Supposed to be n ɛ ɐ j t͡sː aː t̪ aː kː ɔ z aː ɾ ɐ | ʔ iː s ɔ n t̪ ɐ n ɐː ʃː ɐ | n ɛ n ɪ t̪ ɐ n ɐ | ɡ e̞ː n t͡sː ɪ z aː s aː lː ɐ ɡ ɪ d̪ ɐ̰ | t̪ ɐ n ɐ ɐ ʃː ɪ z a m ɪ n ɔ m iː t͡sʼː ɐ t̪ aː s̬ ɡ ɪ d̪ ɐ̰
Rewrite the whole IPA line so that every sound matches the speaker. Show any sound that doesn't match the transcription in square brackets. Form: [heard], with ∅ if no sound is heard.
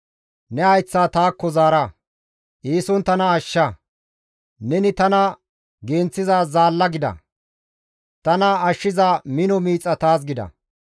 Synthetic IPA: n ɛ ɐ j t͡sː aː t̪ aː kː ɔ z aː ɾ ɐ | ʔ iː s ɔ n t̪ ɐ n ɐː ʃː ɐ | n ɛ n ɪ t̪ ɐ n ɐ | ɡ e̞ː n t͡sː ɪ z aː [z] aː lː ɐ ɡ ɪ d̪ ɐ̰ | t̪ ɐ n ɐ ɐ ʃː ɪ z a m ɪ n ɔ m iː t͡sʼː ɐ t̪ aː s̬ ɡ ɪ d̪ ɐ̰